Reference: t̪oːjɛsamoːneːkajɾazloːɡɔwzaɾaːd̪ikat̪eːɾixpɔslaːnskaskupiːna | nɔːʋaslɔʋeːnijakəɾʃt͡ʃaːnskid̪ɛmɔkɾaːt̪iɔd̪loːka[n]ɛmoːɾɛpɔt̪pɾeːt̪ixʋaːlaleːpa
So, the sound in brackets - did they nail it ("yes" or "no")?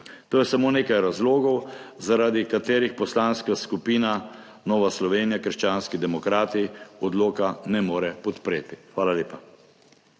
yes